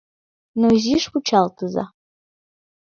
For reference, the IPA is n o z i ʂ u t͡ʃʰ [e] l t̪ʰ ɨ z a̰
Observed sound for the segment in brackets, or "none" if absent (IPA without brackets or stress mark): a